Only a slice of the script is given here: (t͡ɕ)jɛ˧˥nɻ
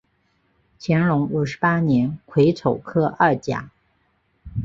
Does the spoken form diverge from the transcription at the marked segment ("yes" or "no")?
yes